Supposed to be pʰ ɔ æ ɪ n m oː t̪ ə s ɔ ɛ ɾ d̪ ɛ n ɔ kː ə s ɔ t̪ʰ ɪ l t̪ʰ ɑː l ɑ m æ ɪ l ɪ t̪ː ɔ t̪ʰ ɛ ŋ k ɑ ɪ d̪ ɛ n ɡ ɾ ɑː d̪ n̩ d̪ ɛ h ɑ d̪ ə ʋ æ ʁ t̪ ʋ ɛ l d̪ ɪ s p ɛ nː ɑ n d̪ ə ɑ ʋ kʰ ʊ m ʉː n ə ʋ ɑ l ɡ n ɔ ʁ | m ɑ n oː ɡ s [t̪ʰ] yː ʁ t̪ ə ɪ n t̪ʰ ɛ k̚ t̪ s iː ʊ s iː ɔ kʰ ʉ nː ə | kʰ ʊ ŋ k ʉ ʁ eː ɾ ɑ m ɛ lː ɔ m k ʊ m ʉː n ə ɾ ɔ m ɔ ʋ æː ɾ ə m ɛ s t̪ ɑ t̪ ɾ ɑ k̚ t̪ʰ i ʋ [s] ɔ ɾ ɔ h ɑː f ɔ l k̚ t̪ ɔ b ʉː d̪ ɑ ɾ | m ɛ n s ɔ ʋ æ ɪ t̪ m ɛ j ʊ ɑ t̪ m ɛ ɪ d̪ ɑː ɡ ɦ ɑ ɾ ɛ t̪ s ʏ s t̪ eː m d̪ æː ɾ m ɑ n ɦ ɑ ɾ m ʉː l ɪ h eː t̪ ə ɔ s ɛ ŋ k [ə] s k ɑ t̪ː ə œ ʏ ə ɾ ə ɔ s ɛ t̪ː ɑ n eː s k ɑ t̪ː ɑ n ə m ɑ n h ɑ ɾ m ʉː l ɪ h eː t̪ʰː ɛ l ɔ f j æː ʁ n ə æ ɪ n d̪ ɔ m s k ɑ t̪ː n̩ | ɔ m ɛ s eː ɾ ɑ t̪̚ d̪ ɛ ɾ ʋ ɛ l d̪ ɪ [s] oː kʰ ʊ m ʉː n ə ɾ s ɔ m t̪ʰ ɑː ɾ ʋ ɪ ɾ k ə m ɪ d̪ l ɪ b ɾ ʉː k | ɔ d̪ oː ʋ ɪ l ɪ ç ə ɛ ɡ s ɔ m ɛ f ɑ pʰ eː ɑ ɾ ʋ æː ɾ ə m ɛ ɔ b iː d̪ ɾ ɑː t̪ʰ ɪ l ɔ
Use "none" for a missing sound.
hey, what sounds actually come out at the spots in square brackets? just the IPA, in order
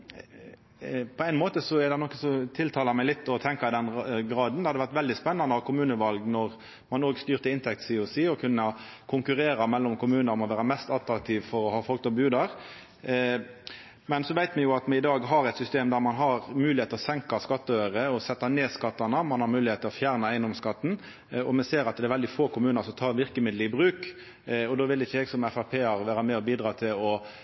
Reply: t̪, f, ɑ, f

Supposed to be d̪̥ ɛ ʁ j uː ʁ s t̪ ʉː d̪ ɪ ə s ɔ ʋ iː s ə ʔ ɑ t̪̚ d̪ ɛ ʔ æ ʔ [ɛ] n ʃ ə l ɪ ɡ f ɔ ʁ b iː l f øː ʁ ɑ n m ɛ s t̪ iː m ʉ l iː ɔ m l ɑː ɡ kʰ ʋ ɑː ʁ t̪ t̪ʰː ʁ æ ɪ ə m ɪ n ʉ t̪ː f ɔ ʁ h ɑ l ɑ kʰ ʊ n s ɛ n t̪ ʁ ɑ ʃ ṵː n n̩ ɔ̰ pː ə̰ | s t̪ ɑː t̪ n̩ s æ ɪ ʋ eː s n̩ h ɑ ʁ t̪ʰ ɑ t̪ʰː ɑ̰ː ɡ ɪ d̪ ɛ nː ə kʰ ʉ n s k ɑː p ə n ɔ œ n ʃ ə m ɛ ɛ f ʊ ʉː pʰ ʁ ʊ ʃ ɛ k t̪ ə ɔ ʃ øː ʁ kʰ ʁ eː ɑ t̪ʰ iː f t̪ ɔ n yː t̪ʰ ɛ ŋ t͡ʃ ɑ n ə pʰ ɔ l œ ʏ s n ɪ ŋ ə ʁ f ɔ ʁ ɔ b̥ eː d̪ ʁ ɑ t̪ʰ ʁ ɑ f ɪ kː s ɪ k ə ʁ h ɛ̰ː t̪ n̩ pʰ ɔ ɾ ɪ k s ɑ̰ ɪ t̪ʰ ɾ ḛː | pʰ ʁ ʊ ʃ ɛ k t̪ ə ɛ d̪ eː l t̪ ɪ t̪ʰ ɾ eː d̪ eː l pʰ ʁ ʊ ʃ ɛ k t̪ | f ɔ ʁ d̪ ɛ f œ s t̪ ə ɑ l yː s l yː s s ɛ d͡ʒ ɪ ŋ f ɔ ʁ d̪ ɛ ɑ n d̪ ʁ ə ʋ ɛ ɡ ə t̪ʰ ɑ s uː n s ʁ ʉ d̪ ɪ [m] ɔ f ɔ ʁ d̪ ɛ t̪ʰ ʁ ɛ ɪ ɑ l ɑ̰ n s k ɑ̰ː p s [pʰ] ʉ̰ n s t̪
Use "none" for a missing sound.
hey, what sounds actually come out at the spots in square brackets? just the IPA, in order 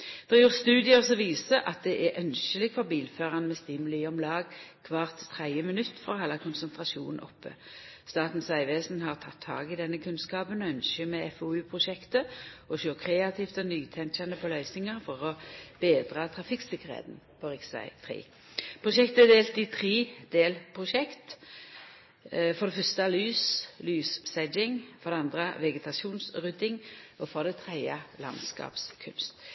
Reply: œ, ŋ, kʰ

